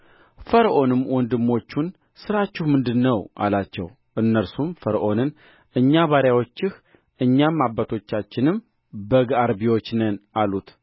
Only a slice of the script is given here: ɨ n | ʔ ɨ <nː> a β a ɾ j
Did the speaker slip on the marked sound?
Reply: yes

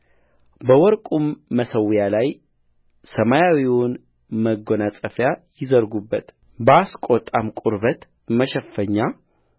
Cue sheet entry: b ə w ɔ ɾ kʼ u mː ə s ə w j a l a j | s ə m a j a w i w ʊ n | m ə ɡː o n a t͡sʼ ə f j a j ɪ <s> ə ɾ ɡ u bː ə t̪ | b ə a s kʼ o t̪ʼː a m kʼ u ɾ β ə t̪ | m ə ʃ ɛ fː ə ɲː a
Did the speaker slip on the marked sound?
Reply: yes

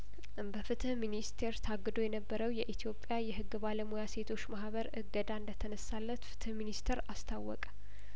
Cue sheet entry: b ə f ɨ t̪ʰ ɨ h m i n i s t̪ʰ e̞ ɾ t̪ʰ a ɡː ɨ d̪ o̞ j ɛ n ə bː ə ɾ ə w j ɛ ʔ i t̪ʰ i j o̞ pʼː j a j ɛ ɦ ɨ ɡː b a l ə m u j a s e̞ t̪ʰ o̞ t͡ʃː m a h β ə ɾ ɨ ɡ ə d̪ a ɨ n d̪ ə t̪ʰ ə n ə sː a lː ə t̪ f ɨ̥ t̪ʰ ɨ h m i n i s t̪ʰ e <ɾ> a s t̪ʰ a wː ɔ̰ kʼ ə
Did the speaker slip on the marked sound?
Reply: no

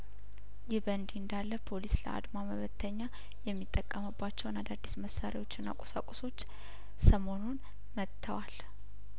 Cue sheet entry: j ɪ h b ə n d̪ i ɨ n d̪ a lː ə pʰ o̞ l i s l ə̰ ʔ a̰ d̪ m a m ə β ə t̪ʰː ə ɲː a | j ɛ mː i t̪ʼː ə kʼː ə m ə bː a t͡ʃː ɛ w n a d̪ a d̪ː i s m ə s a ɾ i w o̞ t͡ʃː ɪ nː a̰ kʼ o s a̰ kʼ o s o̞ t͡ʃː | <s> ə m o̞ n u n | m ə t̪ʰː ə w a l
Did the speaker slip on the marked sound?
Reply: no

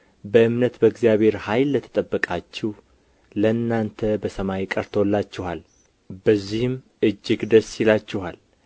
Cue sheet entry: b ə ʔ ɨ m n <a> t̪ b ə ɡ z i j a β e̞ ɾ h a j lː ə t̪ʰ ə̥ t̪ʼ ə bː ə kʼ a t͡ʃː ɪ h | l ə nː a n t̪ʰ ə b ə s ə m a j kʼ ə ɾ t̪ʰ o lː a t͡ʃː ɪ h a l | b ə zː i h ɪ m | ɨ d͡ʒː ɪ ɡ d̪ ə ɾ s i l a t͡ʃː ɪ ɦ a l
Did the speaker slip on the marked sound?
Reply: yes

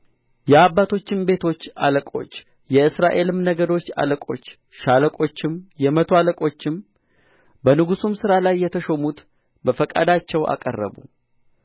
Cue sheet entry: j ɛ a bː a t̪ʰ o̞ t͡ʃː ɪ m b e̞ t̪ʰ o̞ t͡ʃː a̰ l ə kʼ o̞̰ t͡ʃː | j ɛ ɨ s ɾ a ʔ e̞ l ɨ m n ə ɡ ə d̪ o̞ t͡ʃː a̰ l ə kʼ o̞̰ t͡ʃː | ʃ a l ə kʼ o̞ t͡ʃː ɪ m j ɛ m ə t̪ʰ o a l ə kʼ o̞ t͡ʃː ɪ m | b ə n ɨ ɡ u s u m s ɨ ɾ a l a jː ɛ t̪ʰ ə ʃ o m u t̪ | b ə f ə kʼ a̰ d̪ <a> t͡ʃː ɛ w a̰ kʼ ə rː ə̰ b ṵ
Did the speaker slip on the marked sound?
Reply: no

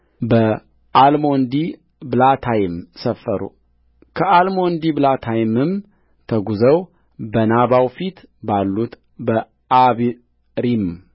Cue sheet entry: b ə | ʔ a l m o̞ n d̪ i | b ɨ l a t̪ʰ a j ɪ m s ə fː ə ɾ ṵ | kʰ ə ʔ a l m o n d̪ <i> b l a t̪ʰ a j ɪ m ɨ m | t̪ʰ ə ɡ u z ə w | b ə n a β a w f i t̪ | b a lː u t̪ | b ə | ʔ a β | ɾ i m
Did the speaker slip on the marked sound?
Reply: no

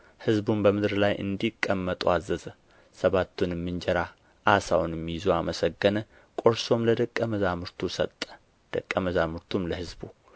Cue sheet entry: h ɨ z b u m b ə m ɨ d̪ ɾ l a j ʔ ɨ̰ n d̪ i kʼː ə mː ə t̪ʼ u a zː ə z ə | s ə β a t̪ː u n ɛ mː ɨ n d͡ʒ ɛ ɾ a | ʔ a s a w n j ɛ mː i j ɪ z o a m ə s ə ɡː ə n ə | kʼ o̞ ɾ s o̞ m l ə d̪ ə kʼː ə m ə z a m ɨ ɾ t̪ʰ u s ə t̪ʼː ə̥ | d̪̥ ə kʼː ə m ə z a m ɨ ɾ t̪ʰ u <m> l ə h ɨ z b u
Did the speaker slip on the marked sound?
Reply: no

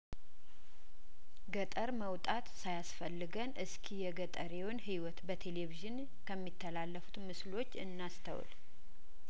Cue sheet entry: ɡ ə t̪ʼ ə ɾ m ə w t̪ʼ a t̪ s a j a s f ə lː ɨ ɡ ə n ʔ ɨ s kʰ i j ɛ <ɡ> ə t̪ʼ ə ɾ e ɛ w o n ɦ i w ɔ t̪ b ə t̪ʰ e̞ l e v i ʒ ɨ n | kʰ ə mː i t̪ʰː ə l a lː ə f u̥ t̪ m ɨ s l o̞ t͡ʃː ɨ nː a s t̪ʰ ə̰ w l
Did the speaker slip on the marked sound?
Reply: no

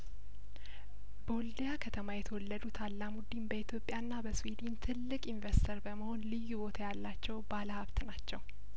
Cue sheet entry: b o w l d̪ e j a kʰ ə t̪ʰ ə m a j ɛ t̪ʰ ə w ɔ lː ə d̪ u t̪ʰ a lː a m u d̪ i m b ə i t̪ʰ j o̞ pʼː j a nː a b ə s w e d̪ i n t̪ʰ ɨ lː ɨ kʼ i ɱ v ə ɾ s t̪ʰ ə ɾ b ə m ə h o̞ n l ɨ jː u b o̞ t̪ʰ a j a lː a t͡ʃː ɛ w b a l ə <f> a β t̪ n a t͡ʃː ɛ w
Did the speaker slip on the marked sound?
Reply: yes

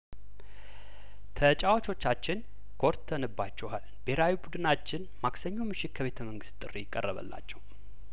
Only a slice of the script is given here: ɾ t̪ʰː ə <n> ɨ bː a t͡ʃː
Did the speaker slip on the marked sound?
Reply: no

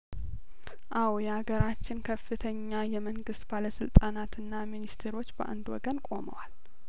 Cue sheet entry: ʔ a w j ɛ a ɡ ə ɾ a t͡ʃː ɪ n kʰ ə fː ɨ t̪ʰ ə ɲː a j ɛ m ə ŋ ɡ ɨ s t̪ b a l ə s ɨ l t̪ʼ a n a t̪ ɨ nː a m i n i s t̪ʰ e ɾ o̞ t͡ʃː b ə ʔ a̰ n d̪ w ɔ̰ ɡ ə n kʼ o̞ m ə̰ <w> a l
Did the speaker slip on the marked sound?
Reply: no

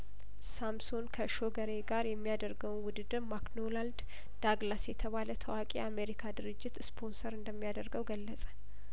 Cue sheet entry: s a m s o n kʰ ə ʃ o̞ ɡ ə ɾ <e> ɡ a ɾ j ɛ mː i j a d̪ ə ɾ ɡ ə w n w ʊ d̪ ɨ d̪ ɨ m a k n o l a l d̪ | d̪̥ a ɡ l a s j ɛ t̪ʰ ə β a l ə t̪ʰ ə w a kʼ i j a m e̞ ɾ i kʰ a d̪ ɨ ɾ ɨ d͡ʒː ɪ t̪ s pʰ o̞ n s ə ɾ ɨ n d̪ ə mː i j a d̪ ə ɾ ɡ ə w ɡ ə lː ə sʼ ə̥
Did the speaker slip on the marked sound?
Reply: no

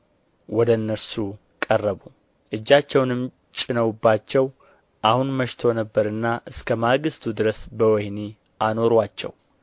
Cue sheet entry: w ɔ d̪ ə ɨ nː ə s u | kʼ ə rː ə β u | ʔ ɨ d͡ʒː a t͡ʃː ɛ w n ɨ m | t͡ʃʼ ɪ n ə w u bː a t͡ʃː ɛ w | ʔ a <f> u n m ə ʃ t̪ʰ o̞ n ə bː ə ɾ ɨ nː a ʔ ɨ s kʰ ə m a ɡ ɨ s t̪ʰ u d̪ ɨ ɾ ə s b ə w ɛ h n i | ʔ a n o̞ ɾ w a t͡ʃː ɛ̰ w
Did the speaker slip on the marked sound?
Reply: yes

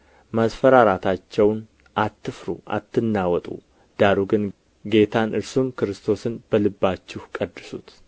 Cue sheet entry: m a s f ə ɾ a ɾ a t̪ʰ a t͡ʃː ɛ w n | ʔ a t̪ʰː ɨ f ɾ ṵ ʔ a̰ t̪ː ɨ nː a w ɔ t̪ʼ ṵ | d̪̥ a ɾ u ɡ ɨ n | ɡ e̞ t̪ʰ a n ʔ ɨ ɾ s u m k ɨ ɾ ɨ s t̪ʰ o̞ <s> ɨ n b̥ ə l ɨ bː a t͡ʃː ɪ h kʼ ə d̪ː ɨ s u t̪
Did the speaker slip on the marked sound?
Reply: no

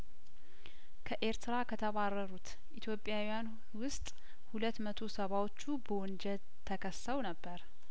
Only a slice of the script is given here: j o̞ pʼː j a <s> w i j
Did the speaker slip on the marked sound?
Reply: yes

